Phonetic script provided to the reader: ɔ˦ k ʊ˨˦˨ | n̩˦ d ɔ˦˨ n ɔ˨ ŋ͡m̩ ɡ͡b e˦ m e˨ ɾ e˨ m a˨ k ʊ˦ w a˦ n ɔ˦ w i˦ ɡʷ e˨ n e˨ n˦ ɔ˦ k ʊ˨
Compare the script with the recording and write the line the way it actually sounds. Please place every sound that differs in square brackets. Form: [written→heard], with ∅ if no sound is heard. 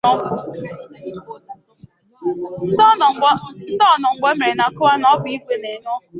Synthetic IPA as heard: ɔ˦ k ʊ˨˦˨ | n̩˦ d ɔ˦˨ n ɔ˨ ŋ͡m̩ ɡ͡b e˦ m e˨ ɾ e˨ [m→n] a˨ k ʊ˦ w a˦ n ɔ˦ [w→b] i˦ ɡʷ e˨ n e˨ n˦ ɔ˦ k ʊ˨